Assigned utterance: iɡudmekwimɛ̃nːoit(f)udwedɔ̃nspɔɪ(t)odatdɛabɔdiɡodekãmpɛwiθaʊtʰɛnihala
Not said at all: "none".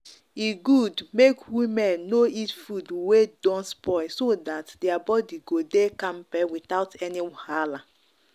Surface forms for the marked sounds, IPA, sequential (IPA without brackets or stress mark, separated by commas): f, s